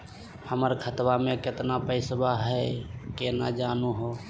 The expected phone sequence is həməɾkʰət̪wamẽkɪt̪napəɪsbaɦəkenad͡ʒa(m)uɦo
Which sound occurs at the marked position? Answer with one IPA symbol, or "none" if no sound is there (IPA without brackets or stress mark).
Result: n